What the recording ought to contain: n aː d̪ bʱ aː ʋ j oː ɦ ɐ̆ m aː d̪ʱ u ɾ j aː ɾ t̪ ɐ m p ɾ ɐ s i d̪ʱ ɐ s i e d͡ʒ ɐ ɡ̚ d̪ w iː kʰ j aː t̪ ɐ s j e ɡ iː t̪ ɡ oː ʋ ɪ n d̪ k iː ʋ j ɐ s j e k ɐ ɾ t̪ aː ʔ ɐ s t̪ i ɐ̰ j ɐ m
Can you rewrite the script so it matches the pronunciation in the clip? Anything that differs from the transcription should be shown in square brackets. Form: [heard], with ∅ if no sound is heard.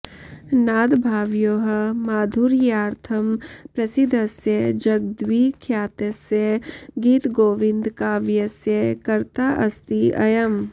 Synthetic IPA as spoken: n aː d̪ bʱ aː ʋ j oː ɦ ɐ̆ m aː d̪ʱ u ɾ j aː ɾ [t̪ʰ] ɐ m p ɾ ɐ s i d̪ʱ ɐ s [j] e d͡ʒ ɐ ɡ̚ d̪ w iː kʰ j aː t̪ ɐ s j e ɡ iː t̪ ɡ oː ʋ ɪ n d̪ k [aː] ʋ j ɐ s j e k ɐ ɾ t̪ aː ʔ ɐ s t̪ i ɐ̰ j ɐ m